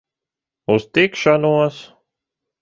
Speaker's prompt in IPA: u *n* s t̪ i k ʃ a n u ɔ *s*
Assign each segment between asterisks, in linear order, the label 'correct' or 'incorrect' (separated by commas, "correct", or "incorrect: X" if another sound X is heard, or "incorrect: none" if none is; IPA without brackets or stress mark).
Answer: incorrect: none, correct